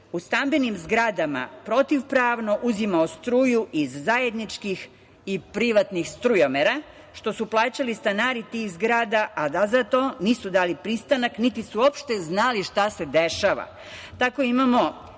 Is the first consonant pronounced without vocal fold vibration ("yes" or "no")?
yes